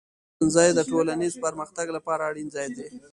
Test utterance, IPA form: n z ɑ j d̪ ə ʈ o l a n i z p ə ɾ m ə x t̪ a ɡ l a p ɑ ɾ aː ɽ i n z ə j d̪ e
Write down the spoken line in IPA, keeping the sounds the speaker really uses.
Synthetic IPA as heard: n z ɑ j d̪ ə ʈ o l a n i z p ə ɾ m ə x t̪ a ɡ l a p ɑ ɾ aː ɽ i n z ɑ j d̪ e